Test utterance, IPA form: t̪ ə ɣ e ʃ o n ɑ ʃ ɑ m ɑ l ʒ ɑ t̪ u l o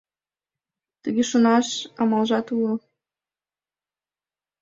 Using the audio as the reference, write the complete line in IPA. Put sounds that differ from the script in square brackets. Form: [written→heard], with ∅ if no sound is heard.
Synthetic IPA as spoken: t̪ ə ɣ e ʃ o n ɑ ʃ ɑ m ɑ l ʒ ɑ t̪ u l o